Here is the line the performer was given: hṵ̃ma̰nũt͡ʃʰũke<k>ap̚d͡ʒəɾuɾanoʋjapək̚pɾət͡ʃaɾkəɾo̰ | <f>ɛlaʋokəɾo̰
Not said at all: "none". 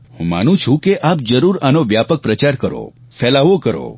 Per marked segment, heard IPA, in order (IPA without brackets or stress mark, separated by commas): ʔ, f